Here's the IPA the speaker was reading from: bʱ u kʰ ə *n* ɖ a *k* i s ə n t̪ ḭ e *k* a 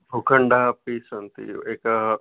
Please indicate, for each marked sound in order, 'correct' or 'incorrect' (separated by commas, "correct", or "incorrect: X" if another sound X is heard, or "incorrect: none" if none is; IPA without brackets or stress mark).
incorrect: ɳ, incorrect: p, correct